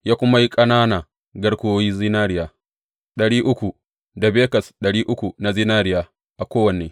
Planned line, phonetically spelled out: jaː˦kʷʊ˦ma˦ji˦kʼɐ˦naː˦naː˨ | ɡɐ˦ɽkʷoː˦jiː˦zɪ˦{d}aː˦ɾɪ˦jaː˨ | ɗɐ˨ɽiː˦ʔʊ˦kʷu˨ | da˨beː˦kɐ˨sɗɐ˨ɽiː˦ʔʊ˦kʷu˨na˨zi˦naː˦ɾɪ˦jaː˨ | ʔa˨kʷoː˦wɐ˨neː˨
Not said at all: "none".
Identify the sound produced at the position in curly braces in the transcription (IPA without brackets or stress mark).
n